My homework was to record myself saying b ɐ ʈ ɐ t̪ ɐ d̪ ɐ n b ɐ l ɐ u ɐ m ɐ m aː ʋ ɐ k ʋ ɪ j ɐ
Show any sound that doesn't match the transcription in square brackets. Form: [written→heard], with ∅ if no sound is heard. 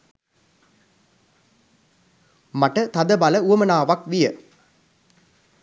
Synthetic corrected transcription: [b→m] ɐ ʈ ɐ t̪ ɐ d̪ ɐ [n→∅] b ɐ l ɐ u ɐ m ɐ [m→n] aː ʋ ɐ k ʋ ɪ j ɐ